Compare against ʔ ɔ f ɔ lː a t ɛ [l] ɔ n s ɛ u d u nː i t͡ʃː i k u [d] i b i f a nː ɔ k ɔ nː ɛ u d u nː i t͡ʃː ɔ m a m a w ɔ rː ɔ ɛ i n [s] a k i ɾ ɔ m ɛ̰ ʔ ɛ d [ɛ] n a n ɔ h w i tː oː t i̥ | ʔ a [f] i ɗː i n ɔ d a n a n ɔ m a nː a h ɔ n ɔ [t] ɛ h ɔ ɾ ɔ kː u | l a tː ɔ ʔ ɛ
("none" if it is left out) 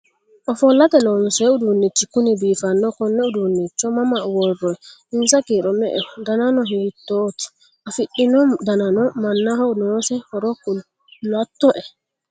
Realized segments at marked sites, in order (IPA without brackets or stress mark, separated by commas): l, n, s, a, f, s